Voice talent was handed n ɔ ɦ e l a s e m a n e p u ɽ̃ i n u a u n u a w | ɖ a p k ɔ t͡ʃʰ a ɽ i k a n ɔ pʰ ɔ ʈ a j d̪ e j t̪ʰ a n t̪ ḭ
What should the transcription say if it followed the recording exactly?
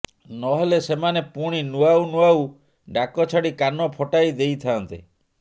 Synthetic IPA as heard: n ɔ ɦ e l e s e m a n e p u ɽ̃ i n u a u n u a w | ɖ a k ɔ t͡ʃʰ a ɽ i k a n ɔ pʰ ɔ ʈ a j d̪ e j t̪ʰ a n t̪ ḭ